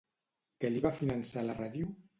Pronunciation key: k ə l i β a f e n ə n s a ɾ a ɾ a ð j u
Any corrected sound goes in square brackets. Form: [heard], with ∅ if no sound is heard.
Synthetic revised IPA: k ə l i β a f [i] n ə n s a [l] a [r] a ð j u